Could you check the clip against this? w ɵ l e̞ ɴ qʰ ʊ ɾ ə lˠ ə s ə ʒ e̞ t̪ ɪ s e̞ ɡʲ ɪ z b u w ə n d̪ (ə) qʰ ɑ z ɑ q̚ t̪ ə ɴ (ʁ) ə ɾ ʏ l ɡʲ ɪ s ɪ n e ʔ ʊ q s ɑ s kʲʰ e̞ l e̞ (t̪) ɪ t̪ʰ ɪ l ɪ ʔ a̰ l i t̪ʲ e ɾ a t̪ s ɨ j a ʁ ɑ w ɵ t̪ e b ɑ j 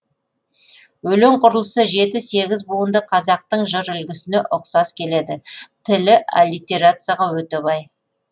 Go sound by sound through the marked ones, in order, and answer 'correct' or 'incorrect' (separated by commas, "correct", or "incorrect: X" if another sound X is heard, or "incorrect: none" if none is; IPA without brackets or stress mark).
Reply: correct, incorrect: ʒ, incorrect: d̪